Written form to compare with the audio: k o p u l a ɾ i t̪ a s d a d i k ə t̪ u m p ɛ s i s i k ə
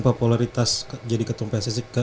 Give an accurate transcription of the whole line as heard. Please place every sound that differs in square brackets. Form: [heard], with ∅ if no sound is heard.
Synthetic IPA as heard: [p] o p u l a ɾ i t̪ a s [d͡ʒ] a d i k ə t̪ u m p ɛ s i s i k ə